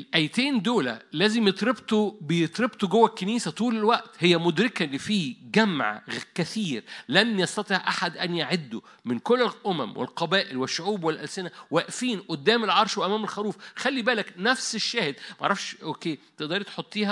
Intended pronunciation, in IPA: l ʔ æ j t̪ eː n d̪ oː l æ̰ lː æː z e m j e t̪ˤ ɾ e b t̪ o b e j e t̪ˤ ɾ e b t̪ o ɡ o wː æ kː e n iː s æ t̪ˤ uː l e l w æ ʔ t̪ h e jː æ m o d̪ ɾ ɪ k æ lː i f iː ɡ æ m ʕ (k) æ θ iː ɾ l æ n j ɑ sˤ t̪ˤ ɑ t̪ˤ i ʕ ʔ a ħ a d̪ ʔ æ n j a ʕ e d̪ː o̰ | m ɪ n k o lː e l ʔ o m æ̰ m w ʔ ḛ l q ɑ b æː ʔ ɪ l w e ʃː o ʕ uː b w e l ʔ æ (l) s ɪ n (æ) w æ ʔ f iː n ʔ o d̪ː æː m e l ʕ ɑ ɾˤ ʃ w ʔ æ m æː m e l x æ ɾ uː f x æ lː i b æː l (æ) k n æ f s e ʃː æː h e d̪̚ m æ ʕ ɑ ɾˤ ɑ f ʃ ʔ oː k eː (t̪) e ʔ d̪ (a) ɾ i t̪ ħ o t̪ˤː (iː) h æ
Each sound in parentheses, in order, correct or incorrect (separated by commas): correct, correct, correct, correct, correct, incorrect, correct